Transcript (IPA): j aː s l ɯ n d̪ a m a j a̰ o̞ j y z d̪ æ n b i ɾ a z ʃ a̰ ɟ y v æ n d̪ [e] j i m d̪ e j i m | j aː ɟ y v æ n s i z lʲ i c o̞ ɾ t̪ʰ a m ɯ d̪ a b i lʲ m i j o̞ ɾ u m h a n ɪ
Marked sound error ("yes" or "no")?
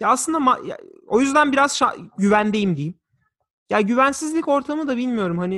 no